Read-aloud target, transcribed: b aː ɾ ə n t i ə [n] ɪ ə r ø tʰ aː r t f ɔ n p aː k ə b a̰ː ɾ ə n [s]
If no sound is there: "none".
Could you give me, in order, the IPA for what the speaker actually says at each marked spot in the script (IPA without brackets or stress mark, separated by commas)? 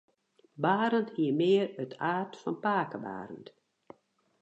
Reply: m, t